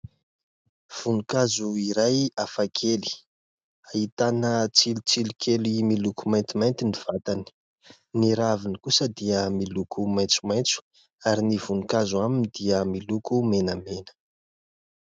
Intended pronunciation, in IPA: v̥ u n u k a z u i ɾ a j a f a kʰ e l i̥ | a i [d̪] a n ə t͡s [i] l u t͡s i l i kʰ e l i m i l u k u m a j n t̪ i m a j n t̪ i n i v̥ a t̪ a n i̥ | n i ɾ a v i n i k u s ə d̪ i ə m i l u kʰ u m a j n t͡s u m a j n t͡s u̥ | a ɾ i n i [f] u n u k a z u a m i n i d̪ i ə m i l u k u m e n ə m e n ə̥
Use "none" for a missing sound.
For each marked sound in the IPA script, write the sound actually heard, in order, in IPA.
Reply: t̪, i, v

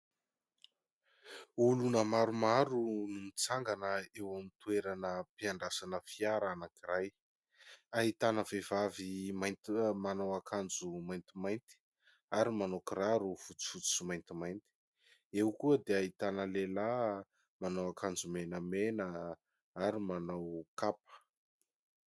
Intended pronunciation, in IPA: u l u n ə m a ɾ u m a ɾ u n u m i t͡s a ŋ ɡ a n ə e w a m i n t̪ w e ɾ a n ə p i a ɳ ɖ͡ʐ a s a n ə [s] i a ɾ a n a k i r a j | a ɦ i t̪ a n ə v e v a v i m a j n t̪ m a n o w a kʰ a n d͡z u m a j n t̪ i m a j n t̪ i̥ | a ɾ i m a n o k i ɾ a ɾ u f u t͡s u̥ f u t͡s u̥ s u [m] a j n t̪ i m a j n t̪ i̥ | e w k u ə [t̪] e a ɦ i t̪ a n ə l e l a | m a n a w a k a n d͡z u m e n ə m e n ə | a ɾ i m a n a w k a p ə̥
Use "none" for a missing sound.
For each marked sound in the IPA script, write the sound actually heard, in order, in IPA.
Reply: f, m, d̪

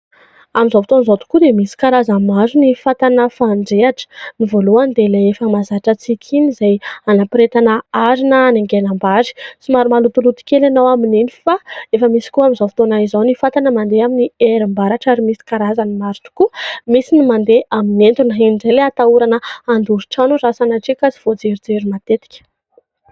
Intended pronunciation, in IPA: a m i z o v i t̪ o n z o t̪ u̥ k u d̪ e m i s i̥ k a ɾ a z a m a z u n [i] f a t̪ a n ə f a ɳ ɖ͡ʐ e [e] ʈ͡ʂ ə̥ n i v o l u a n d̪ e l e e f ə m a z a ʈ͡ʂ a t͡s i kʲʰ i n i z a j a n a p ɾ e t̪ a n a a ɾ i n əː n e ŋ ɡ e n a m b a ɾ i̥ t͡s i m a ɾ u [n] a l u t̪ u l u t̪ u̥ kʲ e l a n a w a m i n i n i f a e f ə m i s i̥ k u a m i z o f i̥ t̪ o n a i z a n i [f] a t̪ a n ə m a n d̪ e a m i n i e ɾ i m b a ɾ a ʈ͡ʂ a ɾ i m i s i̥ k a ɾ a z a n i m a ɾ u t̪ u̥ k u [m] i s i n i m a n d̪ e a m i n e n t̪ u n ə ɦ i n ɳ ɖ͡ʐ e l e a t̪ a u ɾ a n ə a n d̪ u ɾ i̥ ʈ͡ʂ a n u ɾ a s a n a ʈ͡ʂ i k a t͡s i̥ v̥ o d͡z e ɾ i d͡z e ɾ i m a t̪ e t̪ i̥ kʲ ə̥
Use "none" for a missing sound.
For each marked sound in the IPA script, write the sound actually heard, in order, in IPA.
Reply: i, a, m, f, m

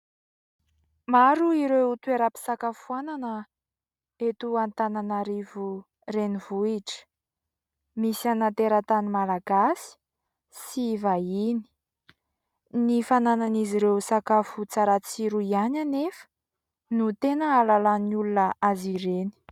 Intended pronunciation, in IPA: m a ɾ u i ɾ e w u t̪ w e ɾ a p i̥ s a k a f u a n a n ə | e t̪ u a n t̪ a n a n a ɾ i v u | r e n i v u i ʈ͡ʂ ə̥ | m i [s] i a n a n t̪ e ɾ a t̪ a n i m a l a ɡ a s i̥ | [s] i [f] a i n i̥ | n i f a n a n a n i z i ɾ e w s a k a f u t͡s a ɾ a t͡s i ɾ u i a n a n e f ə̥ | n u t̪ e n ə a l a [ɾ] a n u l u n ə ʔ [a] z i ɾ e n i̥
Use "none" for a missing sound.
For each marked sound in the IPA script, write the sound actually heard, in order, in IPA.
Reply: s, s, v, l, a

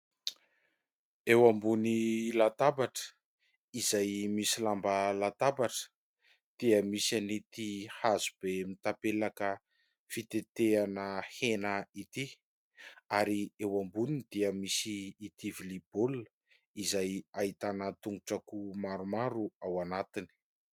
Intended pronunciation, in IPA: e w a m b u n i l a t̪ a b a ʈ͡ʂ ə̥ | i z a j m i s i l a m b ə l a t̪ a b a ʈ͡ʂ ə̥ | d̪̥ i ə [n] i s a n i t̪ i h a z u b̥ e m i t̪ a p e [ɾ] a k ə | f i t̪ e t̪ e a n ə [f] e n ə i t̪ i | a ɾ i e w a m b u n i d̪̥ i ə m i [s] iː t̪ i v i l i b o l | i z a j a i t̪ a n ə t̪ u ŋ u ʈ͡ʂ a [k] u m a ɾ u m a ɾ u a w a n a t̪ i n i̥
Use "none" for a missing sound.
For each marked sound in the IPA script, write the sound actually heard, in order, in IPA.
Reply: m, l, h, s, k

